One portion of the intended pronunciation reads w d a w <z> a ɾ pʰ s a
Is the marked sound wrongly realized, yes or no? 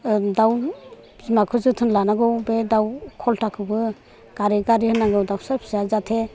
yes